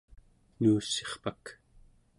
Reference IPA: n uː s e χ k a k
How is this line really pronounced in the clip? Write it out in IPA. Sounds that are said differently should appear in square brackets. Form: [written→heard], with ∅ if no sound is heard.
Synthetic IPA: n uː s e χ [k→p] a k